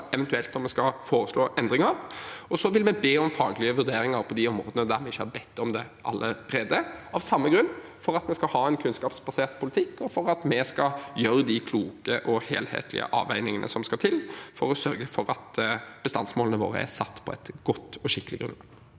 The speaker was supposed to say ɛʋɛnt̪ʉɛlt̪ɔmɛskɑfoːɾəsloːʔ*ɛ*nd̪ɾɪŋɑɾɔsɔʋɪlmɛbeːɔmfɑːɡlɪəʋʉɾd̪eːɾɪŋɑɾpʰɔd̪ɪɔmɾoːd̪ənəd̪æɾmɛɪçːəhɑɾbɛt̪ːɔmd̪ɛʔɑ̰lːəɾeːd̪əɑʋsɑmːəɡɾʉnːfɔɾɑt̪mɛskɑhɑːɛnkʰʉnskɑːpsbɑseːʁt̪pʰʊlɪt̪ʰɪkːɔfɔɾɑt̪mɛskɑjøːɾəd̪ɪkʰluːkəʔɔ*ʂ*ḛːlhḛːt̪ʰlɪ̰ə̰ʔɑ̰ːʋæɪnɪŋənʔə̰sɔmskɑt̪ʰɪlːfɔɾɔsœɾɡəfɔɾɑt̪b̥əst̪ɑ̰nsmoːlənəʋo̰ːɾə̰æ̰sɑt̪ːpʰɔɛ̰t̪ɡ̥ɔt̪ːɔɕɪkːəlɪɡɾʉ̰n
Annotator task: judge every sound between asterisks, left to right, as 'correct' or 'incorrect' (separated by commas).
correct, incorrect